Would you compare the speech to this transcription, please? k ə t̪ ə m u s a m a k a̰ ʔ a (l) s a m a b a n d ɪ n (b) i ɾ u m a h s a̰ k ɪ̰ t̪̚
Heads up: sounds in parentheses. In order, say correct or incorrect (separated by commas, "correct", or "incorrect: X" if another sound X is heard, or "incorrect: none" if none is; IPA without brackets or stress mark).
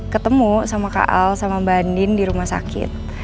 correct, incorrect: d